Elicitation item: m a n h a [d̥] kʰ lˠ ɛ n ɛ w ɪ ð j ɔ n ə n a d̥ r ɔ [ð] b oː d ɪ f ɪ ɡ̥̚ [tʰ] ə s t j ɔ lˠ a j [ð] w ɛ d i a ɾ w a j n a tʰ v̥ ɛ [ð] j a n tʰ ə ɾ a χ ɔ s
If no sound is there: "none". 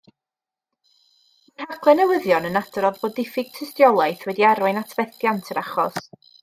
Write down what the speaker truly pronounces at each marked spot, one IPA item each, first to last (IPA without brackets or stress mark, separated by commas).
none, ð, tʰ, θ, θ